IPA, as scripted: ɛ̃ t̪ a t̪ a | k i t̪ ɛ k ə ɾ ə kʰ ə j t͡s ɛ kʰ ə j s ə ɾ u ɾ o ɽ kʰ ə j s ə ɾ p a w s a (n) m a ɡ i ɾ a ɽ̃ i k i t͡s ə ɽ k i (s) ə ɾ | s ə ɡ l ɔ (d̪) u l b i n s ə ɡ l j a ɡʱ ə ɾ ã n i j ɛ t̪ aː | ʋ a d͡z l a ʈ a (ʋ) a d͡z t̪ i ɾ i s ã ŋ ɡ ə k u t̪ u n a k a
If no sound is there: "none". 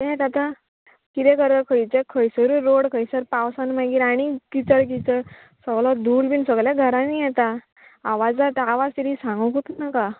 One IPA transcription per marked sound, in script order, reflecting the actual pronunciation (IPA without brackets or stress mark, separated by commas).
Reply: n, t͡s, d̪, ʋ